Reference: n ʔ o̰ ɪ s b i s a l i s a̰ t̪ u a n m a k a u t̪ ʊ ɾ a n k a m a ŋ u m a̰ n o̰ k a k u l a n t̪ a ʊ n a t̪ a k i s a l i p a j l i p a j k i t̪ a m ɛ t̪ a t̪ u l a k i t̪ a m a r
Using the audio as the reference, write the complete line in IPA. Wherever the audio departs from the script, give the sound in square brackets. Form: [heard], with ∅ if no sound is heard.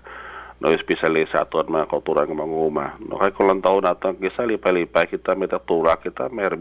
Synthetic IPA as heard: n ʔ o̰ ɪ s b i s a l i s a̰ t̪ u a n m a k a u t̪ [u] ɾ a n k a m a ŋ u m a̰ n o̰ k a k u l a n t̪ a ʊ n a t̪ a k i s a l i p a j l i p a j k i t̪ a m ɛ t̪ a t̪ u l a k i t̪ a m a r